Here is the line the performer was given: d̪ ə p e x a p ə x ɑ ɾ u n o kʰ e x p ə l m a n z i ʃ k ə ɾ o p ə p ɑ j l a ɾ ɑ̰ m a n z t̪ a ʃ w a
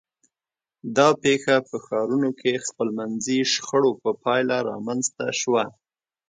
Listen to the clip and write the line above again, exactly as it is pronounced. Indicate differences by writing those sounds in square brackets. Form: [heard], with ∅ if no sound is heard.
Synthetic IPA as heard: d̪ [ɑ] p e x a p ə x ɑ ɾ u n o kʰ e x p ə l m a n z i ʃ [x] ə [ɽ] o p ə p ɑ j l a ɾ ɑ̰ m a n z t̪ a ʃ w a